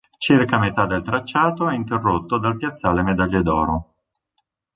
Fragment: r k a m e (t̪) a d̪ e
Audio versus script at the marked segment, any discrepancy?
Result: no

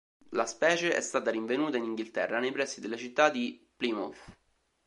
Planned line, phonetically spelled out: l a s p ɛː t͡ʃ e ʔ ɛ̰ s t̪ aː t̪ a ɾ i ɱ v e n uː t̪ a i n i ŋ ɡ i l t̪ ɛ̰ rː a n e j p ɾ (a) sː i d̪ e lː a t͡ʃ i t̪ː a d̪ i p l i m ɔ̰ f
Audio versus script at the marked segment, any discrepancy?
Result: yes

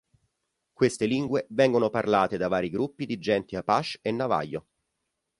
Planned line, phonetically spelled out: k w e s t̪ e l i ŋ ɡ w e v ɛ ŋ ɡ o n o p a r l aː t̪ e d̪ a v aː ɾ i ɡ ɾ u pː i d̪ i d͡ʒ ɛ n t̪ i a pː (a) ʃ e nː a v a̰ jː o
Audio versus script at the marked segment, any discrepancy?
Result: no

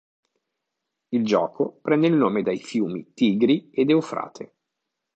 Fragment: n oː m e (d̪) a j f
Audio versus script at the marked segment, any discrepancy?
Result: no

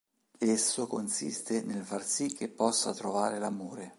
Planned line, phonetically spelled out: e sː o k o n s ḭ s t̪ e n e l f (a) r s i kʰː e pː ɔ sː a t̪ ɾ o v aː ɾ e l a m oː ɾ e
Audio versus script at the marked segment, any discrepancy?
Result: no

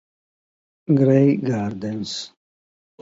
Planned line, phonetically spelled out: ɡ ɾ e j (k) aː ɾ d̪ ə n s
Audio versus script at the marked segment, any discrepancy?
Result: yes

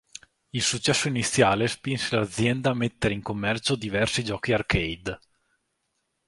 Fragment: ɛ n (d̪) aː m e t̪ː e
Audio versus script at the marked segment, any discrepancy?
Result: no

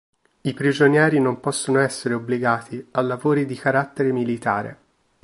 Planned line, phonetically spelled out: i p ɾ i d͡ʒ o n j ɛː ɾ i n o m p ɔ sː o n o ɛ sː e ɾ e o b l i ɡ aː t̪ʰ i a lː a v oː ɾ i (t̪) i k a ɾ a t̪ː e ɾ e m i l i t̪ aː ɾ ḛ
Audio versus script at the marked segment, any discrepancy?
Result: yes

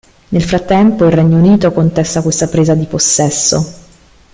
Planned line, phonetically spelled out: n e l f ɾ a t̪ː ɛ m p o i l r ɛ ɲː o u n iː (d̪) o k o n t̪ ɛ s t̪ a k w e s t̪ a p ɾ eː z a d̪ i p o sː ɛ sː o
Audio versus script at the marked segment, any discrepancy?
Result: yes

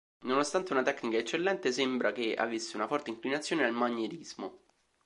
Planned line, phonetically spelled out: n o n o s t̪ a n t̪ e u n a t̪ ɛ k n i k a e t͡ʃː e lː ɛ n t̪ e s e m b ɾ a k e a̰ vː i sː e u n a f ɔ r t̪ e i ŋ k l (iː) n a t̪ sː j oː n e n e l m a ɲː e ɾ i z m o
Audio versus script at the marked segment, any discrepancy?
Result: yes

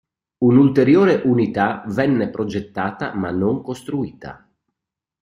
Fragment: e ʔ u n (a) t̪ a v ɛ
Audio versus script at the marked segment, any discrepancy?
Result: yes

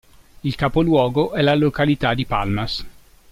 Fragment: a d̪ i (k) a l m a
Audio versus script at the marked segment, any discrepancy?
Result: yes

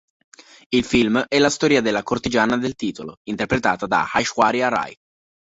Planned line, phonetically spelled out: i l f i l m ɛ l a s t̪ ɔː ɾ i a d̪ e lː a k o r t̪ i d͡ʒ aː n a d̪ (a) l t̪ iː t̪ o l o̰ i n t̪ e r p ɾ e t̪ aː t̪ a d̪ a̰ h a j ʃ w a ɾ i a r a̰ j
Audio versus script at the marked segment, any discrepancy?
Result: yes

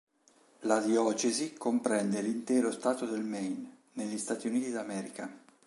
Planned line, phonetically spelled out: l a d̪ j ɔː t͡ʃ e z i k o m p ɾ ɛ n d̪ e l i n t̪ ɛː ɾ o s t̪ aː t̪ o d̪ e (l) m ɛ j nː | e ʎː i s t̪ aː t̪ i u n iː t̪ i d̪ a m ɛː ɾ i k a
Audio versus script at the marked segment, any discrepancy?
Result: no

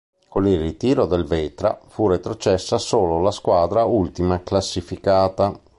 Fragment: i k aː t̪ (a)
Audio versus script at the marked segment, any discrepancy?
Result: no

